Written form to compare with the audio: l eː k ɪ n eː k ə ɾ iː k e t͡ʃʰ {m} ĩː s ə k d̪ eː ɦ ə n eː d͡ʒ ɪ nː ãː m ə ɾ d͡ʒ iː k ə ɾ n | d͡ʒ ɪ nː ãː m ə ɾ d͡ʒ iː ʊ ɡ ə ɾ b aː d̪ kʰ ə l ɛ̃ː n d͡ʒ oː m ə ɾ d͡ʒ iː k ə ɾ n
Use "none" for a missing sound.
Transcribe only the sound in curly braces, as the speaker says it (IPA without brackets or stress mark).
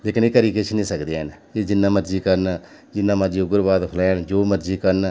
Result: n